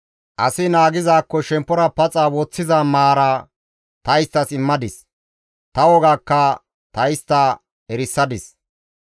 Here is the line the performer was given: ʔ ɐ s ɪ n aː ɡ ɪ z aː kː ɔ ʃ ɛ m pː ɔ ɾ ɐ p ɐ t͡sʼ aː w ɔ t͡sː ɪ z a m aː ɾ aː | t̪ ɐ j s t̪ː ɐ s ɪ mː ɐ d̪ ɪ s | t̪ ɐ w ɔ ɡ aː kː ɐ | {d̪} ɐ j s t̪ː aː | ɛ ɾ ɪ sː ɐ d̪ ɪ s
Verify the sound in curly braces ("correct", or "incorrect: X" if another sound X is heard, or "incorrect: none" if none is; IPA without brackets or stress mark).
incorrect: t̪